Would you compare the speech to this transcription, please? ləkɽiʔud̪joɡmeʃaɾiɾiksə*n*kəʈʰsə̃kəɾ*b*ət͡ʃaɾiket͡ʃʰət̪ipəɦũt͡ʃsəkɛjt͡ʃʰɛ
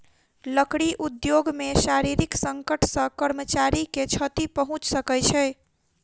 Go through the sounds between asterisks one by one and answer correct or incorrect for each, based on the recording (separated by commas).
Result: incorrect, incorrect